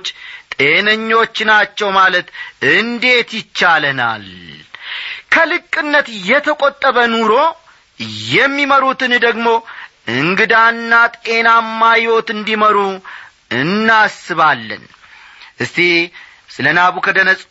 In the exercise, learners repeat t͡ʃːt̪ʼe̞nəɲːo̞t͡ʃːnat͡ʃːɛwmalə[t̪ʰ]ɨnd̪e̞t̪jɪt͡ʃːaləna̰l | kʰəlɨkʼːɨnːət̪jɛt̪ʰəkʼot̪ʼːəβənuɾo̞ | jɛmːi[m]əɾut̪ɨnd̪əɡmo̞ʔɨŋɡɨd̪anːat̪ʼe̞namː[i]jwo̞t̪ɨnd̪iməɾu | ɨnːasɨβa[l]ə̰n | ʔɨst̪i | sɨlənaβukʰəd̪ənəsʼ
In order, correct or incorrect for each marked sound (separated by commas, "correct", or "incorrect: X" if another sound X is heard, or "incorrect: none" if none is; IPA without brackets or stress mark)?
incorrect: t̪, correct, incorrect: a, incorrect: lː